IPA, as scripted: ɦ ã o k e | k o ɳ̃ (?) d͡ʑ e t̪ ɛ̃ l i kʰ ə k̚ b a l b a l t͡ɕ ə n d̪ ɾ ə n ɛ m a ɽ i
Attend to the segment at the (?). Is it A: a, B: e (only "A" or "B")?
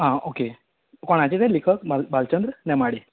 A